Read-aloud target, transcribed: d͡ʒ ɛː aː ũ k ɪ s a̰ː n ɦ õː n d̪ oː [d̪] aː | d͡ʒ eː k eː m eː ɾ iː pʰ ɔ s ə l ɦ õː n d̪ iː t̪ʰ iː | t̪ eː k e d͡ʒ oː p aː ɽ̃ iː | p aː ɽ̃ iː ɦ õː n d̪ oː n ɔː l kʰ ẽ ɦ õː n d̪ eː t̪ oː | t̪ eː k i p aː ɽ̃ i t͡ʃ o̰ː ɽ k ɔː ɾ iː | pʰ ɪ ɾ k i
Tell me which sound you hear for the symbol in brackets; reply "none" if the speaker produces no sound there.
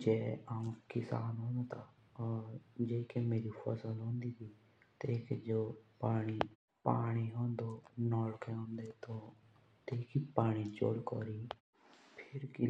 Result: t̪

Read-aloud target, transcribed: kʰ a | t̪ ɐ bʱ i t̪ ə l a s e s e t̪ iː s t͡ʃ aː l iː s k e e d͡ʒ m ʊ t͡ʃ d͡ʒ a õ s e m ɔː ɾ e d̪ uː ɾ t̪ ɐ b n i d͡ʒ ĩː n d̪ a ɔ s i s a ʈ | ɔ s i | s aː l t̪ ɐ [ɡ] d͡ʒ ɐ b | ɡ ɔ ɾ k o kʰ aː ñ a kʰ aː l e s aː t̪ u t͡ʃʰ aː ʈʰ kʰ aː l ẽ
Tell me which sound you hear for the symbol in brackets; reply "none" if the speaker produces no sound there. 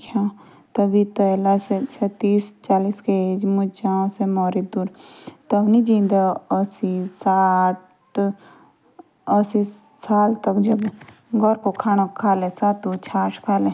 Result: k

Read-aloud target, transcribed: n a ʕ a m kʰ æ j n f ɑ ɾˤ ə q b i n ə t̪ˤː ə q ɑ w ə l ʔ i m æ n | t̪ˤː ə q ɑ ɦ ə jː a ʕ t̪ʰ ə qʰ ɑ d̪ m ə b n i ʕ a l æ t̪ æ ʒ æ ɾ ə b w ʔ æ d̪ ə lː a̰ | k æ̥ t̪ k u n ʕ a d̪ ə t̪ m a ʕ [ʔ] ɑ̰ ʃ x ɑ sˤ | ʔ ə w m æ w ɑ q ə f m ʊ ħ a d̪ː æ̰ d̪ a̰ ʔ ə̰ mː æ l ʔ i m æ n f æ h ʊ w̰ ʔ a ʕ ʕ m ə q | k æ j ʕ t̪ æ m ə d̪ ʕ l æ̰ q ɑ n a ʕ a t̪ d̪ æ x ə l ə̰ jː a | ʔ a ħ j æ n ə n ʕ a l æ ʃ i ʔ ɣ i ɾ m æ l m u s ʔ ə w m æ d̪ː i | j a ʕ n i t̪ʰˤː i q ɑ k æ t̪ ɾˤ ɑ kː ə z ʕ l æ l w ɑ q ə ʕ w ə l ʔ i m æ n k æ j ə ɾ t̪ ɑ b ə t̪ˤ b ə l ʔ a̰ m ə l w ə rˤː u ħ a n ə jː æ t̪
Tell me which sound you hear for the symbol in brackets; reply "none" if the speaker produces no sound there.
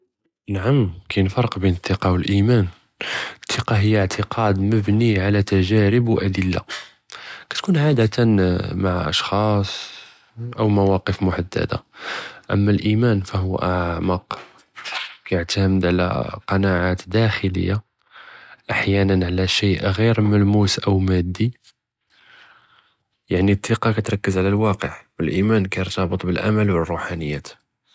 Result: ʔ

